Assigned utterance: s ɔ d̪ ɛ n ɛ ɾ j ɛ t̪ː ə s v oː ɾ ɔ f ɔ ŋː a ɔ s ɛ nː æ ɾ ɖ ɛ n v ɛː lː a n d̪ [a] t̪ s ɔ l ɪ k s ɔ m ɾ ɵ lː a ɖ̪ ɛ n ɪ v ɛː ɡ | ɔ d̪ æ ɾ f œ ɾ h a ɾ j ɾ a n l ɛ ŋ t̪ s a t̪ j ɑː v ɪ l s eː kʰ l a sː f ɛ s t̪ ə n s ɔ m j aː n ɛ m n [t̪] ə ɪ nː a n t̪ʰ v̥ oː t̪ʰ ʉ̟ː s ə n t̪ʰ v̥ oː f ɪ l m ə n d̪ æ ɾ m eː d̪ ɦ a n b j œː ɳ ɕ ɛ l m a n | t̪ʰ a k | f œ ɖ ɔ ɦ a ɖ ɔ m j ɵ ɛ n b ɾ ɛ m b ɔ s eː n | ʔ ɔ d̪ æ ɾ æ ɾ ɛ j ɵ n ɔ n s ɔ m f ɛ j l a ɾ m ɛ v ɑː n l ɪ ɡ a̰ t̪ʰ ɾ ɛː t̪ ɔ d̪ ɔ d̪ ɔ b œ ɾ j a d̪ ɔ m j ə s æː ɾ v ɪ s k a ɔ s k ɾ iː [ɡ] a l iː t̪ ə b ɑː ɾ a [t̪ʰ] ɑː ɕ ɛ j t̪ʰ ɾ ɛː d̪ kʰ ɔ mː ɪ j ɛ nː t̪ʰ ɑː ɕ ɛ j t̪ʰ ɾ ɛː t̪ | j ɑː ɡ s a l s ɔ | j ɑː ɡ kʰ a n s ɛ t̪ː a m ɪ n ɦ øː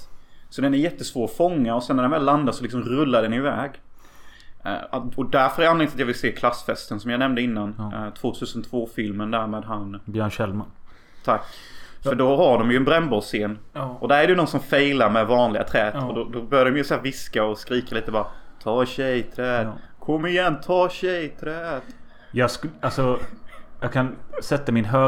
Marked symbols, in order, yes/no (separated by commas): yes, no, no, yes